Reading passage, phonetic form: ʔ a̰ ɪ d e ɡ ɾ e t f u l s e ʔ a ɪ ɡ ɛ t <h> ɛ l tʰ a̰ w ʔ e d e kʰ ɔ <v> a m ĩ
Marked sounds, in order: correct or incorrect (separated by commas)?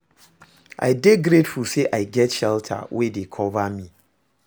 incorrect, correct